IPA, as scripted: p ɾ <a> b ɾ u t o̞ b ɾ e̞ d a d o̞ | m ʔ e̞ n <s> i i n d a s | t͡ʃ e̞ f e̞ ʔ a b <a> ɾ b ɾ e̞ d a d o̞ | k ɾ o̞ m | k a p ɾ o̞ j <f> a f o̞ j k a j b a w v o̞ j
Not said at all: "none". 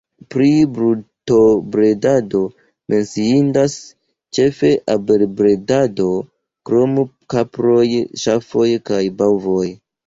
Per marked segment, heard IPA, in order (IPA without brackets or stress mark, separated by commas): i, s, e, ʃ